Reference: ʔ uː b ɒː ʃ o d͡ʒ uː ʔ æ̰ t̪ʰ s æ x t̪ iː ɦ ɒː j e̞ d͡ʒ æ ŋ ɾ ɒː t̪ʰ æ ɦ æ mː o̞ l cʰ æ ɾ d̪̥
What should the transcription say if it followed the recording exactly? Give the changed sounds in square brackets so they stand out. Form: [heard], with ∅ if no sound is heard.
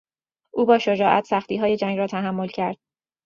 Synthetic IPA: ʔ uː b ɒː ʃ o d͡ʒ [ɒː] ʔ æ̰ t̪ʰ s æ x t̪ iː ɦ ɒː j e̞ d͡ʒ æ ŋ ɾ ɒː t̪ʰ æ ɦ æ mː o̞ l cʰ æ ɾ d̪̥